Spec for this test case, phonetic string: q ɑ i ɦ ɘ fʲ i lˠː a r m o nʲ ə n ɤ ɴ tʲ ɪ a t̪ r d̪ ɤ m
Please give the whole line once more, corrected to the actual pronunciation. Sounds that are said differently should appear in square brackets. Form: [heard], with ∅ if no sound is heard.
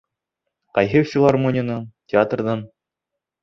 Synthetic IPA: q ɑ [j] ɦ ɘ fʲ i [lˠ] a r m o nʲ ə n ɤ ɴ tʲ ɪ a t̪ r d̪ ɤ [n]